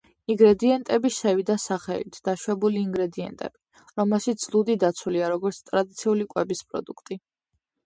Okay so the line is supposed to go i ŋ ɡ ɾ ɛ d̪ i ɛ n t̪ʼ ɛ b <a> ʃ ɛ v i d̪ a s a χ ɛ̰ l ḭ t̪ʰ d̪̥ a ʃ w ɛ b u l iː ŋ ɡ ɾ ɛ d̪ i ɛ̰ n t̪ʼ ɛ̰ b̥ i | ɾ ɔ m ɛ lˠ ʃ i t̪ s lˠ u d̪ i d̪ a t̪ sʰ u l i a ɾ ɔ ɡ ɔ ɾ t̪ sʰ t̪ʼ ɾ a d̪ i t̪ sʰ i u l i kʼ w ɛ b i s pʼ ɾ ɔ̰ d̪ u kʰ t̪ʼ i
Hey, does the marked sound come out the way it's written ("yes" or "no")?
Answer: no